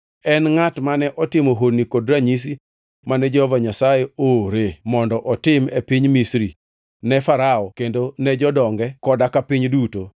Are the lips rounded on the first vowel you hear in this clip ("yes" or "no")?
no